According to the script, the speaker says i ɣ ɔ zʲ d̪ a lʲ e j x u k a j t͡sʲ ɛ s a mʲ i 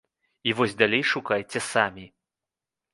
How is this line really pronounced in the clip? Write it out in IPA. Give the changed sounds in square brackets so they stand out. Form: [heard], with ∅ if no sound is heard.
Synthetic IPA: i [v] ɔ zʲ d̪ a lʲ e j [ʂ] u k a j t͡sʲ ɛ s a mʲ i